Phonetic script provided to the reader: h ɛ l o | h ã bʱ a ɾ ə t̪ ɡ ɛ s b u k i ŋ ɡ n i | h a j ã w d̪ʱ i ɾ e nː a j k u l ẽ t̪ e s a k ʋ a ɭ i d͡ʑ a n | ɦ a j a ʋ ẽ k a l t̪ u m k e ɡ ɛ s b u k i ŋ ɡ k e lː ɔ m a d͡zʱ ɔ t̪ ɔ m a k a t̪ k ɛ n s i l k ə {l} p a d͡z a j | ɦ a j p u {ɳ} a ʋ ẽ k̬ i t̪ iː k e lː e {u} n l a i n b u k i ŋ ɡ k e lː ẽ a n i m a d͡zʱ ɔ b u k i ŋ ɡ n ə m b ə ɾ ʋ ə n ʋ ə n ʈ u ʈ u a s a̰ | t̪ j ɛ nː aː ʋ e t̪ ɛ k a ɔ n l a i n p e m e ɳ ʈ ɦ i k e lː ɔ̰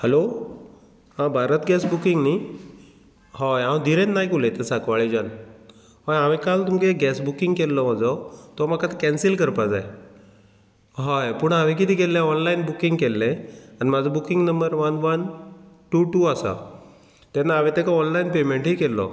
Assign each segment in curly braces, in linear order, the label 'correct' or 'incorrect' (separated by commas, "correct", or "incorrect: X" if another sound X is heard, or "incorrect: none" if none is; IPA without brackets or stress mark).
incorrect: ɾ, correct, incorrect: ɔ